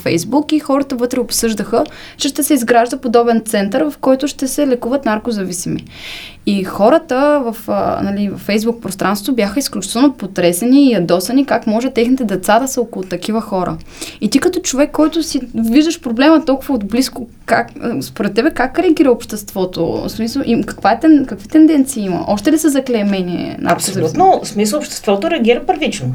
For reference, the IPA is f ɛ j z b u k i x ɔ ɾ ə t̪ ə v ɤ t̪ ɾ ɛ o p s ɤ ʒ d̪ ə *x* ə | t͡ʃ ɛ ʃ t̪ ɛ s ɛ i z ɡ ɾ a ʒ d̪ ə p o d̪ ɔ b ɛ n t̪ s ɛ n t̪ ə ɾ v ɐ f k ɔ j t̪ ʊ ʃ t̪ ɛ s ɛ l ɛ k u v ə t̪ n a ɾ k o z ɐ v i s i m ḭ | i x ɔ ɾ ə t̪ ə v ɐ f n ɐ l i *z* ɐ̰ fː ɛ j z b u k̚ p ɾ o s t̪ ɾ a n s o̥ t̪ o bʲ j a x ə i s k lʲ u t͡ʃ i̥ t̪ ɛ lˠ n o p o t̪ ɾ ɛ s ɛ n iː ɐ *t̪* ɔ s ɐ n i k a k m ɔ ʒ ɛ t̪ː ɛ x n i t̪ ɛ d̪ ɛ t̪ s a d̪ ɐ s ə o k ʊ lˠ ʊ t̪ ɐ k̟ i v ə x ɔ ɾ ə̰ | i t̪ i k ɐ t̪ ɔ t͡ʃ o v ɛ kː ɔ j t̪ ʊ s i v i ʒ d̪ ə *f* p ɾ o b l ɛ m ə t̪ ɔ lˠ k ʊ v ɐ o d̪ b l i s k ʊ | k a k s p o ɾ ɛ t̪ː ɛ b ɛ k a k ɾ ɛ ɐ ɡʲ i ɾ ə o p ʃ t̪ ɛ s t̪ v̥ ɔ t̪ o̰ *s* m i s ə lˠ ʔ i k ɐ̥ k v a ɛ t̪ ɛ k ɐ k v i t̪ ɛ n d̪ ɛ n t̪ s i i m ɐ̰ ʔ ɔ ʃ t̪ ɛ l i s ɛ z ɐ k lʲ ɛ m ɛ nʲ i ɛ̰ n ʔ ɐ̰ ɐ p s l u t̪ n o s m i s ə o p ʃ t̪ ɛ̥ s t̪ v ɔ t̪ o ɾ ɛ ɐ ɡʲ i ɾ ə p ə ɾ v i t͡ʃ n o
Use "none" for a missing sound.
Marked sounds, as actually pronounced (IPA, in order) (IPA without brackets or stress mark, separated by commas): x, v, d̪, ʃ, s